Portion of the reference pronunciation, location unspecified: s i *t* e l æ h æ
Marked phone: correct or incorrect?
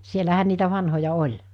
incorrect